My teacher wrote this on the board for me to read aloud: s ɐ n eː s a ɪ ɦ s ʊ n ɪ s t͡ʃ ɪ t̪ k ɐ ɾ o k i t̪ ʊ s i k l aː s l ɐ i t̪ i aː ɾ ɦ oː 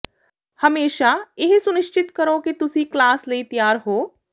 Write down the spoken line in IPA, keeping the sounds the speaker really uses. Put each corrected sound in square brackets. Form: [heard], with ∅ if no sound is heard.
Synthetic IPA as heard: [h] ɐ [m] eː [ʃ] a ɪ ɦ s ʊ n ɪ [ʃ] t͡ʃ ɪ t̪ k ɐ ɾ o k i t̪ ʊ s i k l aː s l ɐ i t̪ [j] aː ɾ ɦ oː

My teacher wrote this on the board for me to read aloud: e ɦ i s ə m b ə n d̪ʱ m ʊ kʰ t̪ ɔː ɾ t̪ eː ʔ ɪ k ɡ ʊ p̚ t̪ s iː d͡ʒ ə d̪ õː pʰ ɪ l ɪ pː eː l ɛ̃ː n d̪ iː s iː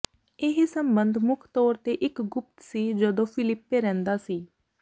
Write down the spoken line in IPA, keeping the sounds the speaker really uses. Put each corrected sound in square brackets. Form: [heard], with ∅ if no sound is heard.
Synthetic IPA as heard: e ɦ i s ə m b ə n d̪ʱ m ʊ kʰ t̪ ɔː ɾ t̪ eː ʔ ɪ k ɡ ʊ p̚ t̪ s iː d͡ʒ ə d̪ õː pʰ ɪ l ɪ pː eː [ɾ] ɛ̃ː n d̪ [aː] s iː

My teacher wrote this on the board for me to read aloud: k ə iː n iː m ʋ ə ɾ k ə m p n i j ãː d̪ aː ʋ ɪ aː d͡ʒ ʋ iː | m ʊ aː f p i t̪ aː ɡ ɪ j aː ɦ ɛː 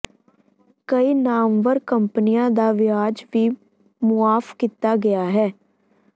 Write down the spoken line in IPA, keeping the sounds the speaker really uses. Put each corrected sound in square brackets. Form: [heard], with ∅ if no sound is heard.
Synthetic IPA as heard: k ə iː n [aː] m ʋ ə ɾ k ə m p n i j ãː d̪ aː ʋ ɪ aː d͡ʒ ʋ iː | m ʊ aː f [k] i t̪ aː ɡ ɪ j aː ɦ ɛː

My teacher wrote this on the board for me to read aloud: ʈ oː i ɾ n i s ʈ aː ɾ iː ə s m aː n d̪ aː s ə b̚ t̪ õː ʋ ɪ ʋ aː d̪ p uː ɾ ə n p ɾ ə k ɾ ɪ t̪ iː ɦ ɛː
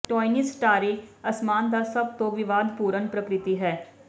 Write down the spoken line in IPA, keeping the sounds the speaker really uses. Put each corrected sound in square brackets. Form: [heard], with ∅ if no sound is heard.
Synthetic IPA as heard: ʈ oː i [∅] n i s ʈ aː ɾ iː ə s m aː n d̪ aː s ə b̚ t̪ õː ʋ ɪ ʋ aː d̪ p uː ɾ ə n p ɾ ə k ɾ ɪ t̪ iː ɦ ɛː

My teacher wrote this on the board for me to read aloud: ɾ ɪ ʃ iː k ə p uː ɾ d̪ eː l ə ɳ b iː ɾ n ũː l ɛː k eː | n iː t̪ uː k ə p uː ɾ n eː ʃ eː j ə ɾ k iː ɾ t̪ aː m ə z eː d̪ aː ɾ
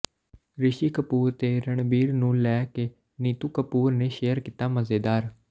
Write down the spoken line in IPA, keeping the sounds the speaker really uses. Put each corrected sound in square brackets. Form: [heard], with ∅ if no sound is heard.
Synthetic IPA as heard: ɾ ɪ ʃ iː k ə p uː ɾ [t̪] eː [ɾ] ə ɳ b iː ɾ n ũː l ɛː k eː | n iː t̪ uː k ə p uː ɾ n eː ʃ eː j ə ɾ k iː [∅] t̪ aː m ə z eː d̪ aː ɾ

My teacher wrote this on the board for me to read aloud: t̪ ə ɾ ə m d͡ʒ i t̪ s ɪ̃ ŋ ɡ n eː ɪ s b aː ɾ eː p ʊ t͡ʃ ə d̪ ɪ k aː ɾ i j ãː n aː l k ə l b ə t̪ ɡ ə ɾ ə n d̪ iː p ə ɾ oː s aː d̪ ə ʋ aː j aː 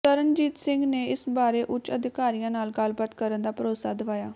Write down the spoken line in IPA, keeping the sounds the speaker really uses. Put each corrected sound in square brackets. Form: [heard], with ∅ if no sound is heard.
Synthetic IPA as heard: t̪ ə ɾ ə [n] d͡ʒ [iː] t̪ s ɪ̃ ŋ ɡ n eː ɪ s b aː ɾ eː [ʔ] ʊ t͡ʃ ə d̪ ɪ k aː ɾ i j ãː n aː l [ɡ] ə l b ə t̪ [k] ə ɾ ə n d̪ [aː] p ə ɾ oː s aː d̪ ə ʋ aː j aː

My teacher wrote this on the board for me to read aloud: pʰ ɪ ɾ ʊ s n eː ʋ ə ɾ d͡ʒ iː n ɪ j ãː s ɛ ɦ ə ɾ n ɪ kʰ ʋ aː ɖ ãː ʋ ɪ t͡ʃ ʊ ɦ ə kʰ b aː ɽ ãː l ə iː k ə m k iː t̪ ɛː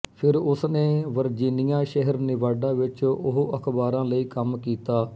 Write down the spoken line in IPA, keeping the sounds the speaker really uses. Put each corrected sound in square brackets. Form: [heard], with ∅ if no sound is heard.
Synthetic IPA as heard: pʰ ɪ ɾ ʊ s n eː ʋ ə ɾ d͡ʒ iː n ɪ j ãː [ʃ] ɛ ɦ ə ɾ n ɪ [∅] ʋ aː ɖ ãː ʋ ɪ t͡ʃ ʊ ɦ ə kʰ b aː [ɾ] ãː l ə iː k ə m k iː t̪ [aː]

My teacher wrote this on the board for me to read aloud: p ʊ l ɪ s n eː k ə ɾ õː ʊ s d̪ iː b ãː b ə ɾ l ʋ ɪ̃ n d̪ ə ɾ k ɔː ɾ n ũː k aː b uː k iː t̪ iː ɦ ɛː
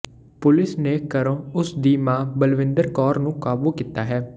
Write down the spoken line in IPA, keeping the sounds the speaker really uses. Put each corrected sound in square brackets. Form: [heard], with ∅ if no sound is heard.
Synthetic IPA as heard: p ʊ l ɪ s n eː k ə ɾ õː ʊ s d̪ iː [m] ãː b ə [∅] l ʋ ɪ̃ n d̪ ə ɾ k ɔː ɾ n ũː k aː b uː k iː t̪ [aː] ɦ ɛː

